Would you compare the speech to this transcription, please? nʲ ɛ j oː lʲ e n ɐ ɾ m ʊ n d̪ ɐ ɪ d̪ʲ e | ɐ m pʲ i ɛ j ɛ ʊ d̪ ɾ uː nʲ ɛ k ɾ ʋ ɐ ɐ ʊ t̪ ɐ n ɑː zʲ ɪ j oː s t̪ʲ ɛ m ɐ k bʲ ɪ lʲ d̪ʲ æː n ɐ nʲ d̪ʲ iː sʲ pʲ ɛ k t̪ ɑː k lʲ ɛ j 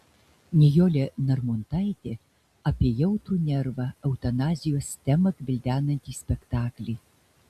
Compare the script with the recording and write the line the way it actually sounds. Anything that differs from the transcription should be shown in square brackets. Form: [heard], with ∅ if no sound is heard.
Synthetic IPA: nʲ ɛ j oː lʲ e n ɐ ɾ m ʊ n [t̪] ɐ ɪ [t̪ʲ] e | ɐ [∅] pʲ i ɛ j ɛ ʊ [t̪] ɾ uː nʲ ɛ [∅] ɾ ʋ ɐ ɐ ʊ t̪ ɐ n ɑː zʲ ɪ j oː s t̪ʲ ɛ m ɐ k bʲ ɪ lʲ d̪ʲ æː n ɐ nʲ [t̪ʲ] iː sʲ pʲ ɛ k t̪ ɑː k lʲ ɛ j